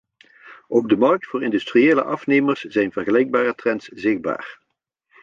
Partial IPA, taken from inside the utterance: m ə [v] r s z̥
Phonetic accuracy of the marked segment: incorrect: none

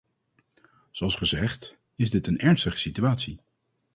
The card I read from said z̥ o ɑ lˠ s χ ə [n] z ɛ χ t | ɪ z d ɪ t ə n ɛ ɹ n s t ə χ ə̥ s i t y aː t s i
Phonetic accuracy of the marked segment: incorrect: none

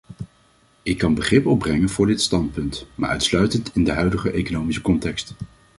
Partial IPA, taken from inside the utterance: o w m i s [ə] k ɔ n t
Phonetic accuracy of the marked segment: correct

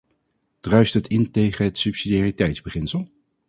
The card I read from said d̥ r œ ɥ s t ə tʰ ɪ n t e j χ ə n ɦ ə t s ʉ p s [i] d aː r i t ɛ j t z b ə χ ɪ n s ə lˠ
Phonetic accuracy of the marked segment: correct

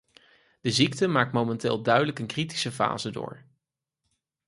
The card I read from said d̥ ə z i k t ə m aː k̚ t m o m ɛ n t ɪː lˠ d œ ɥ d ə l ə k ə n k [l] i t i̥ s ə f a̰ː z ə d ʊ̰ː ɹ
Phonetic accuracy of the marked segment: incorrect: r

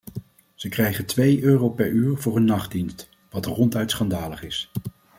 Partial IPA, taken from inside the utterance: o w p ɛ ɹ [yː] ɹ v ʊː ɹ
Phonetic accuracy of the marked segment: correct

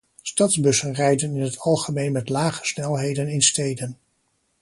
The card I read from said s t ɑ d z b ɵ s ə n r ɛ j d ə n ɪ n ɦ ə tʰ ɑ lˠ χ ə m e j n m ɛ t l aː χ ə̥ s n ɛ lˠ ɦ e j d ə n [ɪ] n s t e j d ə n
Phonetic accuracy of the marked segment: correct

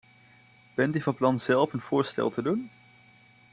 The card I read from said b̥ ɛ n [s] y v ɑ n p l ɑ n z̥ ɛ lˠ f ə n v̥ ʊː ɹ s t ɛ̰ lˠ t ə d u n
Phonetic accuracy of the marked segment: incorrect: t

